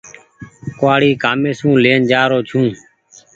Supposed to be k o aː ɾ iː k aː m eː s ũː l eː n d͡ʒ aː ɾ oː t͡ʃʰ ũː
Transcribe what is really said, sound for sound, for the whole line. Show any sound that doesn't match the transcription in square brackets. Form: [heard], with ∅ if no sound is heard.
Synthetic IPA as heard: k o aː [ɽ] iː k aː m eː s ũː l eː n d͡ʒ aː ɾ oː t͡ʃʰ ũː